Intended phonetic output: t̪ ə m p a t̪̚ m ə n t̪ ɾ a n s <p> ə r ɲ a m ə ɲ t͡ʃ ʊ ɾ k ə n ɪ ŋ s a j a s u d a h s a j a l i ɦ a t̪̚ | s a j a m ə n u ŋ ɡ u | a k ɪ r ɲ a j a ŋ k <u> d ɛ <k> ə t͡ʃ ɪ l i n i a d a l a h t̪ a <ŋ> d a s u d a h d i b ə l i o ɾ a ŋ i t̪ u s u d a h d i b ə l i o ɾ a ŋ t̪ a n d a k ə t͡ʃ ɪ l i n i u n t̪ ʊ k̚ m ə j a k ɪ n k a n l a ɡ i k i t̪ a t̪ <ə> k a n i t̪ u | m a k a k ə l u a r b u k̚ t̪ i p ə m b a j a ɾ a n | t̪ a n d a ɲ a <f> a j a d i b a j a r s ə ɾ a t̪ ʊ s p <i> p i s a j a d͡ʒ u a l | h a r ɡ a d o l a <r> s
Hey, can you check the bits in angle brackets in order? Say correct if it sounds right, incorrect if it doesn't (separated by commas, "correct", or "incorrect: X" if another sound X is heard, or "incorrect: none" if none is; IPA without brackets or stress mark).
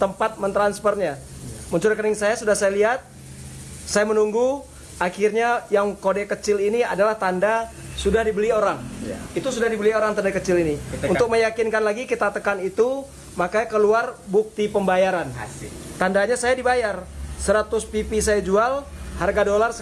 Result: correct, incorrect: o, correct, incorrect: n, correct, incorrect: s, correct, correct